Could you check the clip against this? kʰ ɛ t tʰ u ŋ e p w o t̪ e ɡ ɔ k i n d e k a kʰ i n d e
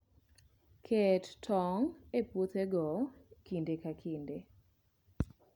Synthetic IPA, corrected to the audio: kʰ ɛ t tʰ ɔ ŋ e p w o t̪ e ɡ ɔ k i n d e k a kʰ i n d e

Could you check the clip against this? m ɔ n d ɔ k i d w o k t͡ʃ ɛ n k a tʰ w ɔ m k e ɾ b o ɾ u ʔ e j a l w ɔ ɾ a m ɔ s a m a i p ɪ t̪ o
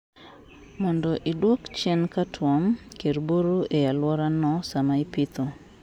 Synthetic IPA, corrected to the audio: m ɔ n d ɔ ʔ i d w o k t͡ʃ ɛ n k a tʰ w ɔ m k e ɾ b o ɾ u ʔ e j a l w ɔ ɾ a n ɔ s a m a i p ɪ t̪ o

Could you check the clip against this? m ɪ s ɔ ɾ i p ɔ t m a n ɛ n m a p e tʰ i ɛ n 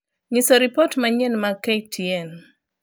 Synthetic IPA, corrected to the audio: ɲ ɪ s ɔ ɾ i p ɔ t m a ɲ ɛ n m a k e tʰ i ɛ n

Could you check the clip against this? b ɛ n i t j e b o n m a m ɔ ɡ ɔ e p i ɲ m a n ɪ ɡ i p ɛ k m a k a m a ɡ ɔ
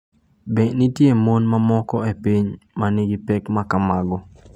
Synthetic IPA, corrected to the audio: b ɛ n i t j e m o n m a m ɔ k ɔ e p i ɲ m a n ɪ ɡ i p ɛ k m a k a m a ɡ ɔ

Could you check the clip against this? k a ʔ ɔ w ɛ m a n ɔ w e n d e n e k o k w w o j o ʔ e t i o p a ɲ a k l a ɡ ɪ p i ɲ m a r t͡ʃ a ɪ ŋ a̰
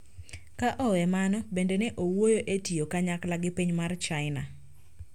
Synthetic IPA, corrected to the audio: k a ʔ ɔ w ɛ m a n ɔ b e n d e n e ʔ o w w o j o ʔ e t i o k a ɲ a k l a ɡ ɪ p i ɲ m a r t͡ʃ a ɪ n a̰

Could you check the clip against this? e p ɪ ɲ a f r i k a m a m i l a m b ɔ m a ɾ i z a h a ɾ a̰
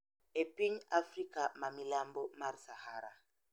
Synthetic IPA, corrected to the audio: e p i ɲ a f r i k a m a m i l a m b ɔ m a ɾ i s a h a ɾ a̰

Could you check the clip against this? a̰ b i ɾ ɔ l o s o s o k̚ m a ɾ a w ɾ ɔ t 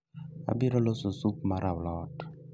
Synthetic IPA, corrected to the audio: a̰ b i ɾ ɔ l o s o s u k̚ m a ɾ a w l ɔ t

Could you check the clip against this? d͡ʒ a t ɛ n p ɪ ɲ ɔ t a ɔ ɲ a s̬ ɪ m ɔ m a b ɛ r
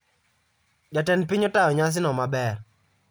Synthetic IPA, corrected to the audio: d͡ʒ a t ɛ n p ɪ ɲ ɔ t a ɔ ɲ a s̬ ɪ n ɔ m a b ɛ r

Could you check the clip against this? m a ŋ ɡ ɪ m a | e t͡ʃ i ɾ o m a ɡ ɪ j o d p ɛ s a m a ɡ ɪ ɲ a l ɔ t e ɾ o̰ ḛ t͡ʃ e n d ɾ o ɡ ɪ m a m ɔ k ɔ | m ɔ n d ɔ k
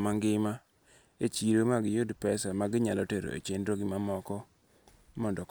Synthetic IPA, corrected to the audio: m a ŋ ɡ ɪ m a | e t͡ʃ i ɾ o m a ɡ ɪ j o d p ɛ s a m a ɡ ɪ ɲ a l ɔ t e ɾ o̰ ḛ t͡ʃ e n d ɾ o ɡ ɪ m a m ɔ k ɔ | m ɔ n d ɔ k

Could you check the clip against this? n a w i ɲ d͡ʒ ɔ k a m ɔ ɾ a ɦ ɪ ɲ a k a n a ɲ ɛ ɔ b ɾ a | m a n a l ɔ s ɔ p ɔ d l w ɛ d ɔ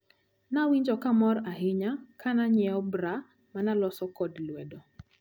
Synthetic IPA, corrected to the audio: n a w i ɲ d͡ʒ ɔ k a m ɔ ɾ a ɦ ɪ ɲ a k a n a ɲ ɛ ɔ b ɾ a | m a n a l ɔ s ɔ k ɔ d l w ɛ d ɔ

